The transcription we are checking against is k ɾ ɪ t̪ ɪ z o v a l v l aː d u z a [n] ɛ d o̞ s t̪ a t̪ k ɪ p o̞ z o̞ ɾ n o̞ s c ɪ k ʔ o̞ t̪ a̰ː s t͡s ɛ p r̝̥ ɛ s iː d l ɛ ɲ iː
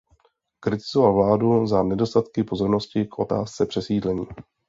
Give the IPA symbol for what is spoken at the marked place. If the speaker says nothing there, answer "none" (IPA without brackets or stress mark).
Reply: n